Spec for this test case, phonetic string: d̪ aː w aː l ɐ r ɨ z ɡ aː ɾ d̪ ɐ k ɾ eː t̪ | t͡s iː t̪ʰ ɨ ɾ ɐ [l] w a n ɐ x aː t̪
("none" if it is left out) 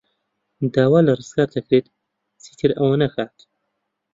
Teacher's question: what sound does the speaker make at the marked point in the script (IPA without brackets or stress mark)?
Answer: none